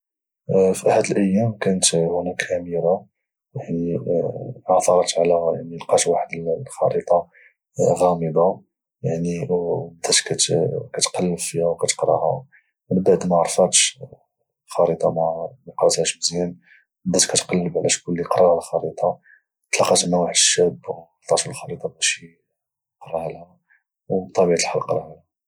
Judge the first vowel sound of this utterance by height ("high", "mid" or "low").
high